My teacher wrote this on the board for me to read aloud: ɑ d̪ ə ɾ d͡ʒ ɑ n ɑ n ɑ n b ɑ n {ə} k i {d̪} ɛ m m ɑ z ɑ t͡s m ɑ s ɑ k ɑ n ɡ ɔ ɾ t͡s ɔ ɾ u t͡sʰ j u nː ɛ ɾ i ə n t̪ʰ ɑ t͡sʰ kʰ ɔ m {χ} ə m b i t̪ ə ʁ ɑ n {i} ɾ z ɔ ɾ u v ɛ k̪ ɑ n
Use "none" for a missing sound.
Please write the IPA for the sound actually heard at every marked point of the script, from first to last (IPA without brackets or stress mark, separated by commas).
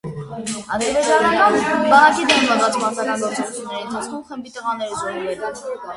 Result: ɑ, d̪, χ, ɛ